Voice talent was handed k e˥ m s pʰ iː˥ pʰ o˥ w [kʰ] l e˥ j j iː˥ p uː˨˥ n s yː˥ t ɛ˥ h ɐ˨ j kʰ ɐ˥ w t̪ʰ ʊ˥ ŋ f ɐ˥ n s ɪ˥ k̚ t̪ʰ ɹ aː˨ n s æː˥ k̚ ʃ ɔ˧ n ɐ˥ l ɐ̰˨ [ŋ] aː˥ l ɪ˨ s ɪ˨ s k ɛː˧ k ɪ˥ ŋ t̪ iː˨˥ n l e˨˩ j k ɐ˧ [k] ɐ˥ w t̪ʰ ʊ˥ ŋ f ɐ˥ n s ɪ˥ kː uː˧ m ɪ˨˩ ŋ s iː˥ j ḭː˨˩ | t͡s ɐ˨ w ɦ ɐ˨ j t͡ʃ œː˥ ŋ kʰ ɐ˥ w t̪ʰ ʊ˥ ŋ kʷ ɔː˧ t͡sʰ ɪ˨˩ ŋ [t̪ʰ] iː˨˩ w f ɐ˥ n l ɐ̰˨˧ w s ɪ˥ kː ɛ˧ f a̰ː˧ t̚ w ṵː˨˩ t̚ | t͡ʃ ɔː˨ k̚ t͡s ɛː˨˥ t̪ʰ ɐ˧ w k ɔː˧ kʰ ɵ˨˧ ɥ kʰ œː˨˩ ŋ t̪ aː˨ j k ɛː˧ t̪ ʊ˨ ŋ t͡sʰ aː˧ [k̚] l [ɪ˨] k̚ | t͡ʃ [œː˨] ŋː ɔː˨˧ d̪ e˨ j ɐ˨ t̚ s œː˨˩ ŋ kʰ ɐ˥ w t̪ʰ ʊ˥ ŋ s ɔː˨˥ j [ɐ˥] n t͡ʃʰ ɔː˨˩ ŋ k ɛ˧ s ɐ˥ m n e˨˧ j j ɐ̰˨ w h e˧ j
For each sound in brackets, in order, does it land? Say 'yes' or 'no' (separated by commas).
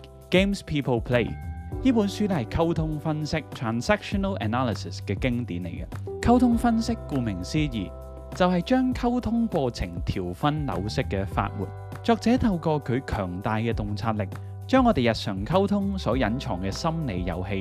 no, no, no, yes, no, yes, no, no